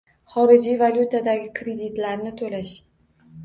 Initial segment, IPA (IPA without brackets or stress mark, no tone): χ